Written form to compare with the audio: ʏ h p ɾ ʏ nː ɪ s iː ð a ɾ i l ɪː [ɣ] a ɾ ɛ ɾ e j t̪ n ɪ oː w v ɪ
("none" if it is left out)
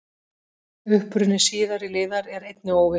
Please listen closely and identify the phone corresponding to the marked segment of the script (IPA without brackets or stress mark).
ð